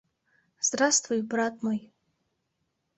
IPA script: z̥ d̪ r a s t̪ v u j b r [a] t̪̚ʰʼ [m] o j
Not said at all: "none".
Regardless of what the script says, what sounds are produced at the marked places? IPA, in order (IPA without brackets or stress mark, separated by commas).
a, m